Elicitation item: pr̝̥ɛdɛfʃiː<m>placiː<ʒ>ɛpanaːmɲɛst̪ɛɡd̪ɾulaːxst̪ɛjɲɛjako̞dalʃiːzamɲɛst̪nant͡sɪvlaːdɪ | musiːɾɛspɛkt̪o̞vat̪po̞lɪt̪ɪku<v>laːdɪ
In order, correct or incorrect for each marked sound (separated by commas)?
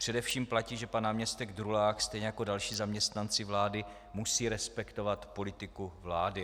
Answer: correct, correct, correct